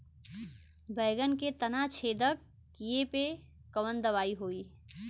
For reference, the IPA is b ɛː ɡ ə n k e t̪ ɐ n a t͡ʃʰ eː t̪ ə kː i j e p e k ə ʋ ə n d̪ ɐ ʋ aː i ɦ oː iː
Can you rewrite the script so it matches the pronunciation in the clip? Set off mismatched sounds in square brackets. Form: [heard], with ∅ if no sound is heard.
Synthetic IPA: b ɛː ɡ ə n k e t̪ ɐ n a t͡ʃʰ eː [d̪] ə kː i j e p e k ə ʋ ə n d̪ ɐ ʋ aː i ɦ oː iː